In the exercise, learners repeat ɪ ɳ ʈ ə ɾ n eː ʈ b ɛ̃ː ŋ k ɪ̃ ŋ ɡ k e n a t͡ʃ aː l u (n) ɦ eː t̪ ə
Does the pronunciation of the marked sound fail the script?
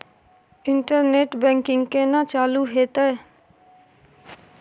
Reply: yes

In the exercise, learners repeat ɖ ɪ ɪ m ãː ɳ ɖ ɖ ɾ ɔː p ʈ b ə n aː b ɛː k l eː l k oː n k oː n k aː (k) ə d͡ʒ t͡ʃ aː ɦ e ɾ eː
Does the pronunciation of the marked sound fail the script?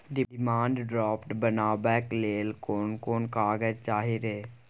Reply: yes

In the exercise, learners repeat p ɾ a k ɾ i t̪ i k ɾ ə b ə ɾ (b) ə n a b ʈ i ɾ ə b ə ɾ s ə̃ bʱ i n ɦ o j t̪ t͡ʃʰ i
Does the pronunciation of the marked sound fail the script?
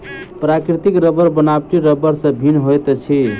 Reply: no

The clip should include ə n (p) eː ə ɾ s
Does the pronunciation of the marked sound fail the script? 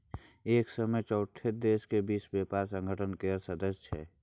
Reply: yes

